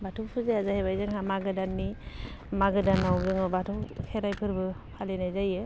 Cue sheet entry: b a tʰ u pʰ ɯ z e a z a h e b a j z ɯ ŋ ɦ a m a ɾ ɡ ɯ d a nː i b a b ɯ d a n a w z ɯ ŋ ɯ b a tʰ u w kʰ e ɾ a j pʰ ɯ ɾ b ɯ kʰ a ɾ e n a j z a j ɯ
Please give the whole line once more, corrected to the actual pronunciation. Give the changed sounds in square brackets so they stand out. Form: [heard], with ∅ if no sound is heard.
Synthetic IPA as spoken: b a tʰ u pʰ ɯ z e a z a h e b a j z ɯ ŋ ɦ a m a [∅] ɡ ɯ d a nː i [m] a [ɡ] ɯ d a n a w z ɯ ŋ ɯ b a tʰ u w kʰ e ɾ a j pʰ ɯ ɾ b ɯ [pʰ] a [l] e n a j z a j ɯ